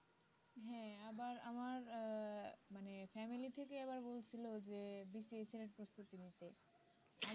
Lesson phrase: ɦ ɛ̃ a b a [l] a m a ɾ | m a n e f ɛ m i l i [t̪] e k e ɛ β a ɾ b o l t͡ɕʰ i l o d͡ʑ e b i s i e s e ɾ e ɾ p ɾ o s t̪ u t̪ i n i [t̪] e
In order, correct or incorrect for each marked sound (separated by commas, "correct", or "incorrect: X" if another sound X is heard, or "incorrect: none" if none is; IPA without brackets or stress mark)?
incorrect: ɾ, incorrect: t̪ʰ, correct